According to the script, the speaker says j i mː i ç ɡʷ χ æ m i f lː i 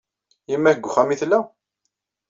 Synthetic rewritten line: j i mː æ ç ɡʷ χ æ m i θ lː æ